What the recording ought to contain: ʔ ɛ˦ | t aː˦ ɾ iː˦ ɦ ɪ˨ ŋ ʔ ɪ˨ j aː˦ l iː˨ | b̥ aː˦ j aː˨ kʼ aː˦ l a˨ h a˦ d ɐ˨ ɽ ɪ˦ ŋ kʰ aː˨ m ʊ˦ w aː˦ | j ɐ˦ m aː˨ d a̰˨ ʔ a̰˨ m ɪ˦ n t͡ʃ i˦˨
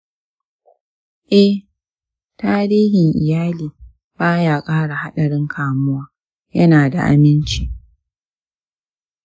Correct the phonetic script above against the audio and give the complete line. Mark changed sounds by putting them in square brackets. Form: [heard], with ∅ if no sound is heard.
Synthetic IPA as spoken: ʔ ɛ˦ | t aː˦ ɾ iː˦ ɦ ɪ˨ ŋ ʔ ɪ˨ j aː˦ l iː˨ | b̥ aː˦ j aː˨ kʼ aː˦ [ɽ] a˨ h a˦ [ɗ] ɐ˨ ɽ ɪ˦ ŋ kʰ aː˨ m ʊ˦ w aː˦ | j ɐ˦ [n] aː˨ d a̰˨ ʔ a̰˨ m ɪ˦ n t͡ʃ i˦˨